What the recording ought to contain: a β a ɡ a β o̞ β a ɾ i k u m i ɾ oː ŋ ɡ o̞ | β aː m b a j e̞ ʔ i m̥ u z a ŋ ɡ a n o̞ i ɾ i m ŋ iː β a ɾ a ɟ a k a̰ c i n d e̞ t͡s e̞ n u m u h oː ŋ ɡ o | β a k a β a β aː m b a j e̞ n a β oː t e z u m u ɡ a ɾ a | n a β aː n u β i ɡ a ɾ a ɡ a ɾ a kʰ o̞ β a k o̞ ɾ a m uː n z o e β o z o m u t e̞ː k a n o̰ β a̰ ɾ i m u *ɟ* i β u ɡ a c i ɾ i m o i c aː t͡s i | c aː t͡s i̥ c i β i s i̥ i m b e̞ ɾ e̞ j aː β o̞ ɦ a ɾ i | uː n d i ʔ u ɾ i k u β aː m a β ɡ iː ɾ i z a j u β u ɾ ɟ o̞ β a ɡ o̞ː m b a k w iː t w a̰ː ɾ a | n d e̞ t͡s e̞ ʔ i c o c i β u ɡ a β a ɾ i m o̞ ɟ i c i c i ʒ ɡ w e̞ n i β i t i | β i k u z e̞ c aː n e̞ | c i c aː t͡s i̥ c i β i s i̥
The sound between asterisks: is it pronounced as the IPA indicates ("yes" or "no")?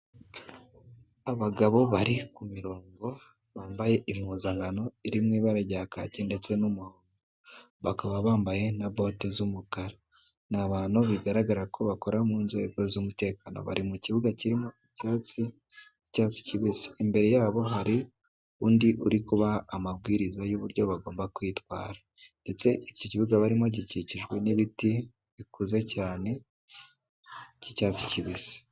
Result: no